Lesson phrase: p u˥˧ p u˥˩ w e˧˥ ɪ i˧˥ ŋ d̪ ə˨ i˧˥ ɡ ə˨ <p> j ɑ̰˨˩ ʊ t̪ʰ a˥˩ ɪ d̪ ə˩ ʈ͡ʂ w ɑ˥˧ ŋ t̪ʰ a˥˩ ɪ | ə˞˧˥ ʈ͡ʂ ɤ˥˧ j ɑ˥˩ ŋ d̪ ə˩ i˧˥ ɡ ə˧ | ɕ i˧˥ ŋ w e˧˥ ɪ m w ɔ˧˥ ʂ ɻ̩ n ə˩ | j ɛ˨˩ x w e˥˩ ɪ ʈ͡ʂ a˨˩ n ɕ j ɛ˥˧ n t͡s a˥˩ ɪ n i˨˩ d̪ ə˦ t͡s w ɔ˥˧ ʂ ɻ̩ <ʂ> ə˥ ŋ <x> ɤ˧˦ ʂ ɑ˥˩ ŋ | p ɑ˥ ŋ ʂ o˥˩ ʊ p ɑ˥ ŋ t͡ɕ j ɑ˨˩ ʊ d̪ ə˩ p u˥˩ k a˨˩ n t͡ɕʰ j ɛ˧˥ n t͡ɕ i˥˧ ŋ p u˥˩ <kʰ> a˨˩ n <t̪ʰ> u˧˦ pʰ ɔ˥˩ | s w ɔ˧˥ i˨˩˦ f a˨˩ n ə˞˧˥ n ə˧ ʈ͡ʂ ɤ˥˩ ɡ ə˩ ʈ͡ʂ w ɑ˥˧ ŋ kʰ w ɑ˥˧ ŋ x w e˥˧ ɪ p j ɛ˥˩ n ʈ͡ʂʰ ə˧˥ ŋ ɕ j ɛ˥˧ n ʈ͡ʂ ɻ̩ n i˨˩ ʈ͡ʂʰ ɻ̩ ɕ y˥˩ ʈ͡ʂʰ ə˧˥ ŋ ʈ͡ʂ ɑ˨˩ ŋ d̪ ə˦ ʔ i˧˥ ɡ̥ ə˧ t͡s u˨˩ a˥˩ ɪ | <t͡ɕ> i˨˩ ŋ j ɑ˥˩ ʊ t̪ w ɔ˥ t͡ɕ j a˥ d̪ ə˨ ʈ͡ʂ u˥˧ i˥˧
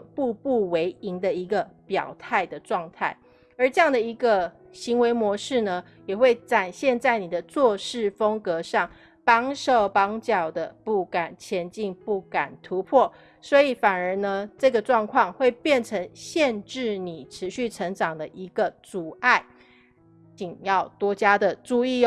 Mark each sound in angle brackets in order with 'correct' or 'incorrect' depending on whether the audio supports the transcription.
correct, incorrect: f, incorrect: k, incorrect: k, correct, correct

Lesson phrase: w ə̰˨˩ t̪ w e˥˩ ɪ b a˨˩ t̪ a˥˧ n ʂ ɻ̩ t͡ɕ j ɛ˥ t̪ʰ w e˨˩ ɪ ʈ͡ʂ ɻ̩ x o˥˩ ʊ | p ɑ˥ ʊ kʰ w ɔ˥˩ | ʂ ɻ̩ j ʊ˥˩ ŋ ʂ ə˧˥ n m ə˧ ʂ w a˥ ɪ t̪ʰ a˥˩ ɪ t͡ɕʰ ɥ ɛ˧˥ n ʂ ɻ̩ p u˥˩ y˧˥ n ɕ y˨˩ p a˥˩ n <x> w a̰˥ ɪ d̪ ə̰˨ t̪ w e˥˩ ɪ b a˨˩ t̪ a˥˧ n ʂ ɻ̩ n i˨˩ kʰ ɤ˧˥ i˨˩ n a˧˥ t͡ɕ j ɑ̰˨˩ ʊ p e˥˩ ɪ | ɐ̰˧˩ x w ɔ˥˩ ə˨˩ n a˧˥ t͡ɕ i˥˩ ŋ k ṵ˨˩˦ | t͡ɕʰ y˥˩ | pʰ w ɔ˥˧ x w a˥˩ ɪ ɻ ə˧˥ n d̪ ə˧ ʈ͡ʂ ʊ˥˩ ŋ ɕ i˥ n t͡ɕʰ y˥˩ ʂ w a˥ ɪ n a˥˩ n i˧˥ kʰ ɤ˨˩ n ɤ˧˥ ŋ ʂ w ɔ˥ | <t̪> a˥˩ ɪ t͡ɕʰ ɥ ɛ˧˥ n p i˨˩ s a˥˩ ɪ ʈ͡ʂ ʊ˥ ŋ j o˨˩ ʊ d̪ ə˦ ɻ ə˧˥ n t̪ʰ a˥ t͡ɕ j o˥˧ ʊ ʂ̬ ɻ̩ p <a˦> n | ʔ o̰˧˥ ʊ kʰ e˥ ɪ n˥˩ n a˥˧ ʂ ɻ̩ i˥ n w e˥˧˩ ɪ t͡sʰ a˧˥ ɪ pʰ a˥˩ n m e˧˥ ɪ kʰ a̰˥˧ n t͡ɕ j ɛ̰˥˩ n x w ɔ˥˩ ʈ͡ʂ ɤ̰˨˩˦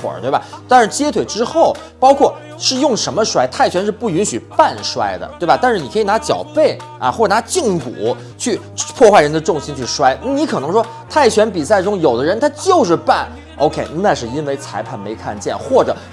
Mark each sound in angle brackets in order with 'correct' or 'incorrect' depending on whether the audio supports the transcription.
incorrect: ʂ, incorrect: t̪ʰ, incorrect: a˥˩

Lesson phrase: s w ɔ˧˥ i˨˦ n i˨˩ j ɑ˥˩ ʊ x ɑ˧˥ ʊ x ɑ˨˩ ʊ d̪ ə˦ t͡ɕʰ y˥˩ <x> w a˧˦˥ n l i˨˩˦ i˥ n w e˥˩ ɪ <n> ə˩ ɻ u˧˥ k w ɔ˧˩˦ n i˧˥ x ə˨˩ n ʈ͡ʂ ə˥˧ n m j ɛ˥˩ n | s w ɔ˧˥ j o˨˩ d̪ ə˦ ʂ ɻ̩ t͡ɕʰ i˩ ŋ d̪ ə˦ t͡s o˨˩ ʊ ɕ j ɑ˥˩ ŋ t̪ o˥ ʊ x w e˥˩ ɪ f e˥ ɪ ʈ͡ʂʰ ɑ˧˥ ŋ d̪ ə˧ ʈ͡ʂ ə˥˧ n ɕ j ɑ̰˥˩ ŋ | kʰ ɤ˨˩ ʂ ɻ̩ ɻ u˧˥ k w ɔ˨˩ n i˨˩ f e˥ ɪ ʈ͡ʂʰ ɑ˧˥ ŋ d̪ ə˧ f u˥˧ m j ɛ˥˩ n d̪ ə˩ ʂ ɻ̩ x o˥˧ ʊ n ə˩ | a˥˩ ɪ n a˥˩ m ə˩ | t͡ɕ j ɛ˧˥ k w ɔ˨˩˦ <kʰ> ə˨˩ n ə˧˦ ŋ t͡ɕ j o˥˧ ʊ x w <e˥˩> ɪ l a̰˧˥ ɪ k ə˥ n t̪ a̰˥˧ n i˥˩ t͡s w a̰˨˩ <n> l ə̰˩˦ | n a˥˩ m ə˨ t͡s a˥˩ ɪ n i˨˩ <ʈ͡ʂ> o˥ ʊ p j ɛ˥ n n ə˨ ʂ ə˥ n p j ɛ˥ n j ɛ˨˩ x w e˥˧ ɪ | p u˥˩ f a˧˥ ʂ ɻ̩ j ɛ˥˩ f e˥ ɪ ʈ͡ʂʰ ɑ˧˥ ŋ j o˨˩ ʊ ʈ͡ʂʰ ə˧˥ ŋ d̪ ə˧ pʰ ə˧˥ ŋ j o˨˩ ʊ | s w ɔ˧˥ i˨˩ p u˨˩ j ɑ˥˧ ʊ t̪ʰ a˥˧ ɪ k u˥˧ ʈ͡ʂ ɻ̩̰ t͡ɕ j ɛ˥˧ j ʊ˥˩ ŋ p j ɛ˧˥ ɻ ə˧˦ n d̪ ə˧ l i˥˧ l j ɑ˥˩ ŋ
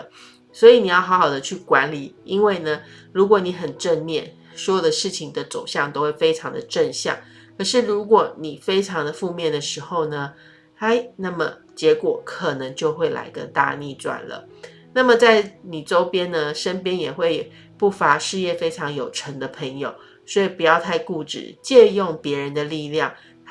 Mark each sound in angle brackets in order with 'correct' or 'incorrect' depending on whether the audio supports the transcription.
incorrect: k, correct, correct, correct, correct, correct

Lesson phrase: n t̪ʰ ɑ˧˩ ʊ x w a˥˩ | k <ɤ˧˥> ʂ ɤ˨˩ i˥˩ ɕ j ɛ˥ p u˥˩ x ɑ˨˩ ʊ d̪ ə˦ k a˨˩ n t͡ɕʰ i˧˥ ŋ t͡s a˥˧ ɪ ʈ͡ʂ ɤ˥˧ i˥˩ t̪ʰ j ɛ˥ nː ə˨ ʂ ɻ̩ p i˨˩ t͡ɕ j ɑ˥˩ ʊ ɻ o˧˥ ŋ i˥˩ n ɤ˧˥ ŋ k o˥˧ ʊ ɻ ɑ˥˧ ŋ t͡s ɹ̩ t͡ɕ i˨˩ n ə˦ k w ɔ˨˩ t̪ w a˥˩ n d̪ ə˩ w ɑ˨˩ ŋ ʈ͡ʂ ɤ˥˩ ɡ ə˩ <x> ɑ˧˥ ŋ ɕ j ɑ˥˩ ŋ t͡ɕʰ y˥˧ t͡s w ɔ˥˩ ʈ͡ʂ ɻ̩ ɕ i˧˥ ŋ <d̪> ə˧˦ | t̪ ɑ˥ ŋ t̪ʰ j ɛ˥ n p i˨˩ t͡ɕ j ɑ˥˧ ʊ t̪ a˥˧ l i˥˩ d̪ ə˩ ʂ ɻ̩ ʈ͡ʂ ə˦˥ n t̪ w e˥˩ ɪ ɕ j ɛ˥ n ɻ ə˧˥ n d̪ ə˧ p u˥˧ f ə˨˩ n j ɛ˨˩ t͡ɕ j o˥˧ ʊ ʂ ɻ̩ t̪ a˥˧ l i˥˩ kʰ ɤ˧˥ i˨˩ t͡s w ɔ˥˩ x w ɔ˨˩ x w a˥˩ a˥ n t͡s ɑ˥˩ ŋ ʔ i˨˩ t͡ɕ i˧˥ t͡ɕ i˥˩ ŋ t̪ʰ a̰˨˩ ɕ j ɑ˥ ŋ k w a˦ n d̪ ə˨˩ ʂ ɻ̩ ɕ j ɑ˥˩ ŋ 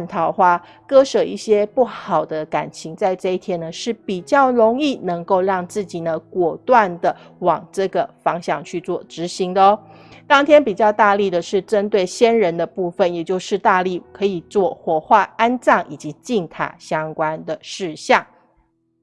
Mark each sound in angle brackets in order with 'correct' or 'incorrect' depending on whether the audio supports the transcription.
incorrect: ɤ˥, incorrect: f, correct

